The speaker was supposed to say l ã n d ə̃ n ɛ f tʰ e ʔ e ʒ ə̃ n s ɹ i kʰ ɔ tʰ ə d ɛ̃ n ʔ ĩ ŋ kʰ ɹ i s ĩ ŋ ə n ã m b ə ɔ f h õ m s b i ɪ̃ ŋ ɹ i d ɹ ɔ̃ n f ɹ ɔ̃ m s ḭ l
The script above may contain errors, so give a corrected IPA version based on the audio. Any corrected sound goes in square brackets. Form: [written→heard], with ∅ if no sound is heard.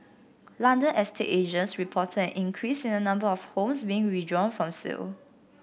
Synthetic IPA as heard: l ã n d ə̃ n ɛ [f→s] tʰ e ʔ e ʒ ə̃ n s ɹ i [kʰ→pʰ] ɔ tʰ ə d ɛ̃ n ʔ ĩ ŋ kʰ ɹ i s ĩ [ŋ→n] ə n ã m b ə ɔ f h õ m s b i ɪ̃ ŋ ɹ i d ɹ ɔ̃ n f ɹ ɔ̃ m s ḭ l